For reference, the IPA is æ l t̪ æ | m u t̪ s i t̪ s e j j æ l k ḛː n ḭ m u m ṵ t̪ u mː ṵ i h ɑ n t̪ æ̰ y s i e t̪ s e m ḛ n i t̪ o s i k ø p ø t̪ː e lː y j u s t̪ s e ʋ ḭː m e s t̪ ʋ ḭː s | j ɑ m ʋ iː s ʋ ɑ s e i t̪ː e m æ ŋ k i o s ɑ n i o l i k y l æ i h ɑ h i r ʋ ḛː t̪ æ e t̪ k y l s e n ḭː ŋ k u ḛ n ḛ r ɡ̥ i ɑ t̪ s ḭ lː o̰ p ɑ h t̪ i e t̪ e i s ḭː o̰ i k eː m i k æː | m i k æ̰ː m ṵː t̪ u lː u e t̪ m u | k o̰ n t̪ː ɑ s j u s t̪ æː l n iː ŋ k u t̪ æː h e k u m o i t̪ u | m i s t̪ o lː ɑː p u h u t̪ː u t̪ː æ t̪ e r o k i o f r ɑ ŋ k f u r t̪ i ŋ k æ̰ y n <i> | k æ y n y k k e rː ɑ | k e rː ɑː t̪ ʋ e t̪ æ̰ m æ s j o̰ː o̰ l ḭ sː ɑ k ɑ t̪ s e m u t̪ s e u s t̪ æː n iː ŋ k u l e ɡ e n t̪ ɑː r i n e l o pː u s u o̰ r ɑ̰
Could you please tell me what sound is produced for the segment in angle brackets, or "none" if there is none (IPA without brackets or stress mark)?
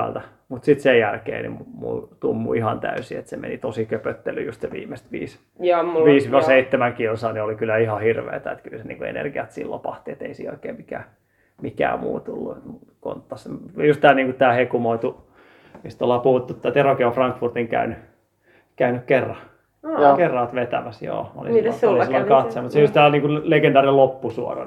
y